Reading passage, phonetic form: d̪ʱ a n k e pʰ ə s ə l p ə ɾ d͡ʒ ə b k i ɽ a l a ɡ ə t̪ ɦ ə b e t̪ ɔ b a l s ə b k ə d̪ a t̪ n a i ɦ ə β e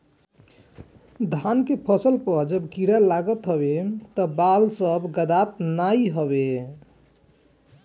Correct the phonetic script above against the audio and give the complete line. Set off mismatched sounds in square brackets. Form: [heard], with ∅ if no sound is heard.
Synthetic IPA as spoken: d̪ʱ a n k e pʰ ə s ə l p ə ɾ d͡ʒ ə b k i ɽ a l a ɡ ə t̪ ɦ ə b e t̪ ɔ b a l s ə b [ɡ] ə d̪ a t̪ n a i ɦ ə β e